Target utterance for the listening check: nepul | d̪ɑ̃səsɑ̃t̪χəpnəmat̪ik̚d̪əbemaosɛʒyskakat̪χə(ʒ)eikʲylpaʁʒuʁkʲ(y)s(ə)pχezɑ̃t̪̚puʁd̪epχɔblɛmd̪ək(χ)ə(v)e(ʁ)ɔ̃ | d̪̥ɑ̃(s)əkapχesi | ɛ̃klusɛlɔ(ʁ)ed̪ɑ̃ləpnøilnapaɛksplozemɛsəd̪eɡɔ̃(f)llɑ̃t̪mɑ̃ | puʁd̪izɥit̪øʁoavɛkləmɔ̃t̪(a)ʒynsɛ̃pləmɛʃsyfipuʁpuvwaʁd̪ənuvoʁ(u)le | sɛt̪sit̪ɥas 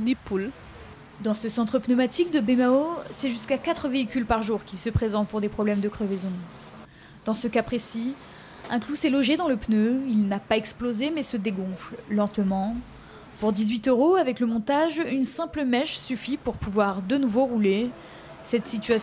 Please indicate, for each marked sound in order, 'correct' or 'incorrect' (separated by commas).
incorrect, incorrect, correct, correct, correct, incorrect, correct, incorrect, correct, correct, correct